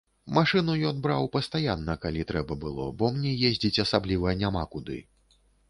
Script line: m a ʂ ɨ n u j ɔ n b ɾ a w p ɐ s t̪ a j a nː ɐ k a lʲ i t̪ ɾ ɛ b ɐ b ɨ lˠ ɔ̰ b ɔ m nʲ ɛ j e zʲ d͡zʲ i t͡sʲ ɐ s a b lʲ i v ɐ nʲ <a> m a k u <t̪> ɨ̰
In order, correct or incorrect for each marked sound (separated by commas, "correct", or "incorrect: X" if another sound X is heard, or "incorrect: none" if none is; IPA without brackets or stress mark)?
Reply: correct, incorrect: d̪